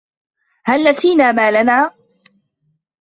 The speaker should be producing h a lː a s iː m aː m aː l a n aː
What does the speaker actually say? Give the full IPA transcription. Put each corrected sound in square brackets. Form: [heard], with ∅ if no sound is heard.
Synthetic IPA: h a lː a s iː [n] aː m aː l a n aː

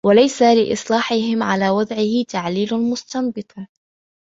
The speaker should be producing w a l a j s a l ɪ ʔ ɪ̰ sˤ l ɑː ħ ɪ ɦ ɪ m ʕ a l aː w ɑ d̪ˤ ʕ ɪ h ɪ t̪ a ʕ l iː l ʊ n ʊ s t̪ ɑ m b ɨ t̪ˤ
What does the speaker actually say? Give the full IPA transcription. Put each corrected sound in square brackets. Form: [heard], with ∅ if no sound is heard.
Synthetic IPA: w a l a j s a l ɪ ʔ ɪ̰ sˤ l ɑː ħ ɪ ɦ ɪ m ʕ a l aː w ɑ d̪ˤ ʕ ɪ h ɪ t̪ a ʕ l iː l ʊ [m] ʊ s t̪ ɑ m b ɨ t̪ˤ

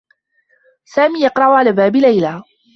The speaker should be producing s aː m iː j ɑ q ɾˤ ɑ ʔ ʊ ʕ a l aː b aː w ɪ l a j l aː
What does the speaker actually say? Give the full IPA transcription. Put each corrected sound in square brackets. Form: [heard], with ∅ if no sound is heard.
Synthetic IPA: s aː m iː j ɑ q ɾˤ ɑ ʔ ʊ ʕ a l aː b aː [b] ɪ l a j l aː

